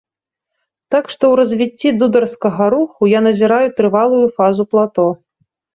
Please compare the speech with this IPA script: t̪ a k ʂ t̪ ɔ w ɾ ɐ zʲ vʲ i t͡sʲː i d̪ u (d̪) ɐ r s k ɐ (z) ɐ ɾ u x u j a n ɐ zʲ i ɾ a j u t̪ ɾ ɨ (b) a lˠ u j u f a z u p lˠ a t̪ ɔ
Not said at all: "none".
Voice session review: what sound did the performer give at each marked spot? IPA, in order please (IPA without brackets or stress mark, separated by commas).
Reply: d̪, ɣ, v